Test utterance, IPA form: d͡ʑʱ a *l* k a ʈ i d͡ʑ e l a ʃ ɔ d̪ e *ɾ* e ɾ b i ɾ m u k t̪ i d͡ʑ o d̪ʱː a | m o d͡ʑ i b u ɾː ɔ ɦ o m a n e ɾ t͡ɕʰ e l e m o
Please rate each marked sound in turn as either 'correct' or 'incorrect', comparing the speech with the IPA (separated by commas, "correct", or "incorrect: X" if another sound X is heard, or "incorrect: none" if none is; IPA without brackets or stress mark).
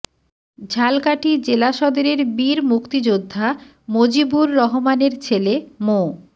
correct, correct